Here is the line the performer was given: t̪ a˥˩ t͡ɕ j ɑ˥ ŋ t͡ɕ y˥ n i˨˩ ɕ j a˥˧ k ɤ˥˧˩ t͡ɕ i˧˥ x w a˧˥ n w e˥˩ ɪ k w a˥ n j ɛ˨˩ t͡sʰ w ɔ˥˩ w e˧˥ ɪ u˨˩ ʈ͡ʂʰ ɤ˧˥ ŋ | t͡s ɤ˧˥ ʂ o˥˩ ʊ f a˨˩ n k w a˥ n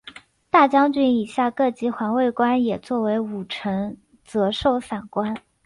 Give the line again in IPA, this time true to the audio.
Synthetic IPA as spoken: t̪ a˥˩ t͡ɕ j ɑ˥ ŋ t͡ɕ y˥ n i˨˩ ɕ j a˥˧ k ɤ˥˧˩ t͡ɕ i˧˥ x w a˧˥ n w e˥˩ ɪ k w a˥ n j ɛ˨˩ t͡s w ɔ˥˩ w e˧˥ ɪ u˨˩ ʈ͡ʂʰ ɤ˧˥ ŋ | t͡s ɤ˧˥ ʂ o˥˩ ʊ f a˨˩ n k w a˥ n